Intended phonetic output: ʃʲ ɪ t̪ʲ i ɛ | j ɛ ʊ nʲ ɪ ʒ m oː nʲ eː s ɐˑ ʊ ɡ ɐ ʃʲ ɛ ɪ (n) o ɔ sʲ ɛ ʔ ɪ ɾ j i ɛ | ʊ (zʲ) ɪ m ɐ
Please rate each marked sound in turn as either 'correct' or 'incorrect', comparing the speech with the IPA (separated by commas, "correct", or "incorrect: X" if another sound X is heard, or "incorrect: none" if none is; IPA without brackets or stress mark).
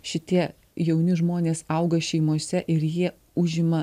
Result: incorrect: m, incorrect: ʒʲ